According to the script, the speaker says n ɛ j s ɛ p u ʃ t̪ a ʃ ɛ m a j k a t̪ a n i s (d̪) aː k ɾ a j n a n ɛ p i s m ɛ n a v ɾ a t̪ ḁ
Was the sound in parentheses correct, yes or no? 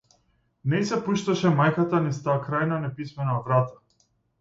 no